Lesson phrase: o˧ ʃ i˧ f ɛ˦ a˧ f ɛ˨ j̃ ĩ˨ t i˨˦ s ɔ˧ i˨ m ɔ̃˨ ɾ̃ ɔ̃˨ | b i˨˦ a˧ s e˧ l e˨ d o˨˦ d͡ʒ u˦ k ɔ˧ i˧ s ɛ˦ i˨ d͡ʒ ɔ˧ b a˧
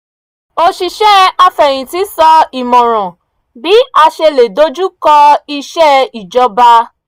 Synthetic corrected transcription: o˧ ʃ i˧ ʃ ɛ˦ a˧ f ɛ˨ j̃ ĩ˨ t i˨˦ s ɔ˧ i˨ m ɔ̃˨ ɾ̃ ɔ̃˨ | b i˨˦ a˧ ʃ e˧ l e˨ d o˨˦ d͡ʒ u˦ k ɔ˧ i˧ ʃ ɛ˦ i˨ d͡ʒ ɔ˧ b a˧